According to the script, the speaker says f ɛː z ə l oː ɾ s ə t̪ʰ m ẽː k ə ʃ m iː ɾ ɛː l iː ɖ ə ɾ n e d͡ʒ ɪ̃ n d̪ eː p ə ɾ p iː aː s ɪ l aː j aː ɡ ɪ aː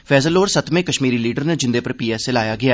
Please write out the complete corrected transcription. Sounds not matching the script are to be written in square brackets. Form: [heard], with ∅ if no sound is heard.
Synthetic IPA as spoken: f ɛː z ə l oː ɾ s ə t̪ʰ m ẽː k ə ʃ m iː ɾ [iː] l iː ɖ ə ɾ n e d͡ʒ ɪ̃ n d̪ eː p ə ɾ p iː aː s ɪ l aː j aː ɡ ɪ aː